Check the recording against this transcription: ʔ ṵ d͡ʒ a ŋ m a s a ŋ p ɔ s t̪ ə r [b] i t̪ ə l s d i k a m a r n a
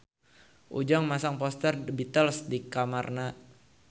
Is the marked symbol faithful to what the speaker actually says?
yes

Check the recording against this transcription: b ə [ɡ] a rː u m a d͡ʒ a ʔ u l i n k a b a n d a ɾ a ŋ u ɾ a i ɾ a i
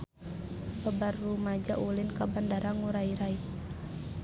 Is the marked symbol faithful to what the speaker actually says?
no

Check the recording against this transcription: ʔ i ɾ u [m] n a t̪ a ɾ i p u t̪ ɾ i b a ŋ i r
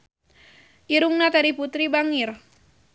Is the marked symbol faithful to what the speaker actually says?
no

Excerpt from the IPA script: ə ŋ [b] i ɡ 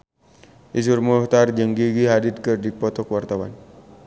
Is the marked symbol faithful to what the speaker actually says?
no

